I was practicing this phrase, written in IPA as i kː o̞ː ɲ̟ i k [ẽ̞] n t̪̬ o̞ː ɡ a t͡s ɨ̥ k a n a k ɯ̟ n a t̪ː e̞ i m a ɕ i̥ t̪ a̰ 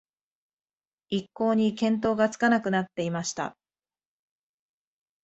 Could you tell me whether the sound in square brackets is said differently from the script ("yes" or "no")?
no